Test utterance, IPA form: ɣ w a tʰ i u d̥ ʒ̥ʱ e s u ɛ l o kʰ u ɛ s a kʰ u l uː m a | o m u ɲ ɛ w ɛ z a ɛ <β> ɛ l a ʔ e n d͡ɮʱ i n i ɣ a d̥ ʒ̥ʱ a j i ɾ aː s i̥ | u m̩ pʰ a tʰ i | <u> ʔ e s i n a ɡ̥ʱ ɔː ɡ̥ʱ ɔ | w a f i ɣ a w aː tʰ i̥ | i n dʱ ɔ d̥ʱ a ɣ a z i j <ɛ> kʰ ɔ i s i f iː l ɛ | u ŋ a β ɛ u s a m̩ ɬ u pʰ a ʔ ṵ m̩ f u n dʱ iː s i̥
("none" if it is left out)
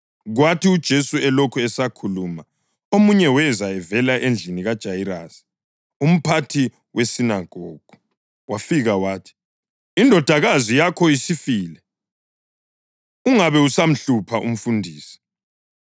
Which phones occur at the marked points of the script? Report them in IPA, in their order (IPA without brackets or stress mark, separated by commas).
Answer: v, w, a